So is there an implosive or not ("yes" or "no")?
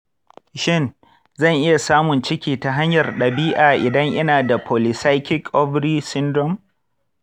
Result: yes